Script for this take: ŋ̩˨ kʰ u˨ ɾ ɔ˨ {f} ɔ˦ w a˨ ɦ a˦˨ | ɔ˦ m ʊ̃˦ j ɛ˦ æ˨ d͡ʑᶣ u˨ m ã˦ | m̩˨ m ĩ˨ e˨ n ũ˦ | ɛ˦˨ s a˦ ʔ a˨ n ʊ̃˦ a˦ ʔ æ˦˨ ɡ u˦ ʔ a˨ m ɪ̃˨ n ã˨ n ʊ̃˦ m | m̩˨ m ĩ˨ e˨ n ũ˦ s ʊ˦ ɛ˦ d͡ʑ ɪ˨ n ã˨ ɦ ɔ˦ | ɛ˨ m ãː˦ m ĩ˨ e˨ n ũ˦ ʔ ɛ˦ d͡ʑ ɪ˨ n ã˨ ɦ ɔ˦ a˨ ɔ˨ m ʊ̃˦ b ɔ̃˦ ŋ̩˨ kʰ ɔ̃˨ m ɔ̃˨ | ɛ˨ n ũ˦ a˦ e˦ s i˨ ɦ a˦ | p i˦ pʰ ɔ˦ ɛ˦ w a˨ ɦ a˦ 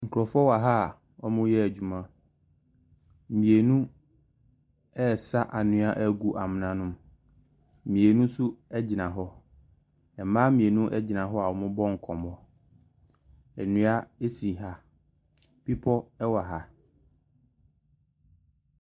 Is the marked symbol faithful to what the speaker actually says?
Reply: yes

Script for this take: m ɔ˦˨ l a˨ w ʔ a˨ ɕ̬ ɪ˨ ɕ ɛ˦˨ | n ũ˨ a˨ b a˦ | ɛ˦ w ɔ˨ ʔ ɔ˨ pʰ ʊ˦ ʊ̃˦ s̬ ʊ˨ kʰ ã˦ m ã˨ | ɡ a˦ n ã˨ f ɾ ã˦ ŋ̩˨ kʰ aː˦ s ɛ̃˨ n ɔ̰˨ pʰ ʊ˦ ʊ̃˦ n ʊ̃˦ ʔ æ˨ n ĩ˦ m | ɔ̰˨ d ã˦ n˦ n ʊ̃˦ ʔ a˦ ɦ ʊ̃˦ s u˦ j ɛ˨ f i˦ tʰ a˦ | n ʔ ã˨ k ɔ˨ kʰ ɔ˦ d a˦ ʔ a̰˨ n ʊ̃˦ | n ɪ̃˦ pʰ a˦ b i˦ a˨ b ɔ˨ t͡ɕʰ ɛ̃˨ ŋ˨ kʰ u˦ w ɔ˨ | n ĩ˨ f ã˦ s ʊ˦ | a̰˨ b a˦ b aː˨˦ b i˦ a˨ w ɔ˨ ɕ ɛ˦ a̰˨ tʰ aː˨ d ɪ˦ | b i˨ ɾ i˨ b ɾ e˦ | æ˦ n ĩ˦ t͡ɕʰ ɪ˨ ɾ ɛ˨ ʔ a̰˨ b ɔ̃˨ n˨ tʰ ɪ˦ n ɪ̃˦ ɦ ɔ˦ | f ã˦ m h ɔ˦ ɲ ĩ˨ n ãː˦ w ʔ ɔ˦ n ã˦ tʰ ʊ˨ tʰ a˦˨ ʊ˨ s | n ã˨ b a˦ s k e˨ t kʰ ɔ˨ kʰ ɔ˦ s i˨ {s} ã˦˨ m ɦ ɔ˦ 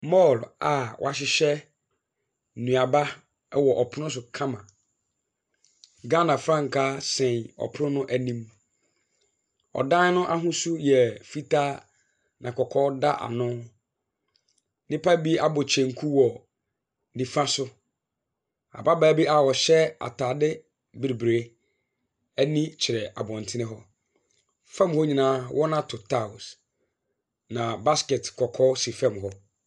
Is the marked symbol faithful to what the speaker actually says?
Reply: no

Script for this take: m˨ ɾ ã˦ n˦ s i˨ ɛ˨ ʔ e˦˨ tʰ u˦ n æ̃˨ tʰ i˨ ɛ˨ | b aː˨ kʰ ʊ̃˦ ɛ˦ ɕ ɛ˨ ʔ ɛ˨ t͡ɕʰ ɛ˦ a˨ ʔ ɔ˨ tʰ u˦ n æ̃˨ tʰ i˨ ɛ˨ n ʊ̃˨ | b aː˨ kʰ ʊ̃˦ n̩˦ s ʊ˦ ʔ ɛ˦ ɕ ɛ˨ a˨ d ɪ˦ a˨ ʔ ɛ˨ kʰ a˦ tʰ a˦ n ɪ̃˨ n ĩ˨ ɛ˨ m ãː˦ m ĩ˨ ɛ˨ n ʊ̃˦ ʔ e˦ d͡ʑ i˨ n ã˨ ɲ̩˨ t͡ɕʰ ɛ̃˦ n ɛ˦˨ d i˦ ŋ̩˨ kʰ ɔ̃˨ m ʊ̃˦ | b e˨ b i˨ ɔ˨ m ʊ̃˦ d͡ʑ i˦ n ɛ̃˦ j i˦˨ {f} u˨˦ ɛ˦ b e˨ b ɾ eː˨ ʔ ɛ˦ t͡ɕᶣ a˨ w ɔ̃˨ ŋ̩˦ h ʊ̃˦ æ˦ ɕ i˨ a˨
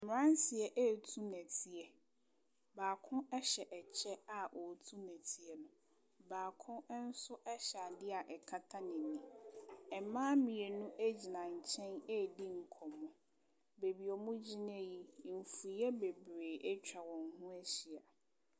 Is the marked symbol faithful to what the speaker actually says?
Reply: yes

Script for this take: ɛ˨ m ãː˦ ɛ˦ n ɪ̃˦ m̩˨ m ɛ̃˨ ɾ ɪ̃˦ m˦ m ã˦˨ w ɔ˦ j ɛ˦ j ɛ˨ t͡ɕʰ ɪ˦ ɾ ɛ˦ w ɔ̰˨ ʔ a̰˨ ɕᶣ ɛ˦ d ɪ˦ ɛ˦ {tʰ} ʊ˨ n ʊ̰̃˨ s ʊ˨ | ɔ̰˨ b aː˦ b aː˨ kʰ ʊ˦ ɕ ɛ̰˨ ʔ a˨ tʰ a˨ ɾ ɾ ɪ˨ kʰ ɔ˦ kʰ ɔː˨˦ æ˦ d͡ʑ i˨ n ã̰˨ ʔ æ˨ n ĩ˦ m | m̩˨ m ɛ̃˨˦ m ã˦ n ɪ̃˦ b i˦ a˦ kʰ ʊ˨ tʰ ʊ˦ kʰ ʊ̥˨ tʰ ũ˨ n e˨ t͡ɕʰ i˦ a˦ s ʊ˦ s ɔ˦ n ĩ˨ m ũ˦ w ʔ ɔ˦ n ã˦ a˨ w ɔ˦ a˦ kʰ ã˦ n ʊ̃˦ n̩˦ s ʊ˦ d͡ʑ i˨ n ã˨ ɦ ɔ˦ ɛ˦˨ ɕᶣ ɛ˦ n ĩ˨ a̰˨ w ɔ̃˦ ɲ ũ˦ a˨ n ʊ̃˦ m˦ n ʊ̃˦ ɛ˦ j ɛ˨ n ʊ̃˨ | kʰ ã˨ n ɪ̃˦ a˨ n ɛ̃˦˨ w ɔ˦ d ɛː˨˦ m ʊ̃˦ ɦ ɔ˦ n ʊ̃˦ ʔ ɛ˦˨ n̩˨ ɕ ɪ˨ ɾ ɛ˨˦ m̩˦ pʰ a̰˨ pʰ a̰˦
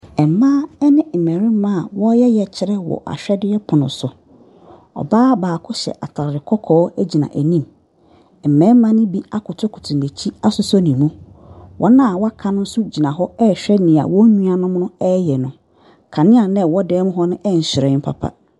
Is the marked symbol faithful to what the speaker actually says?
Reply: no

